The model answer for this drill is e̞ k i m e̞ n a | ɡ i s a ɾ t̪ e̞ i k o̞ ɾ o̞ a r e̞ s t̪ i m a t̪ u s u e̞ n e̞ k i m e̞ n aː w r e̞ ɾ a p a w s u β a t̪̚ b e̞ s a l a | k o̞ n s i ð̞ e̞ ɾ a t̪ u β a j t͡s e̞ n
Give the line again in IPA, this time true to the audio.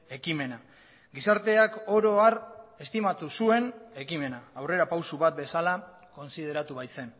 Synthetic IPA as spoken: e̞ k i m e̞ n a | ɡ i s a ɾ t̪ e̞ a k o̞ ɾ o̞ a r e̞ s t̪ i m a t̪ u s u e̞ n e̞ k i m e̞ n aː w r e̞ ɾ a p a w s u β a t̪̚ b e̞ s a l a | k o̞ n s i ð̞ e̞ ɾ a t̪ u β a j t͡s e̞ n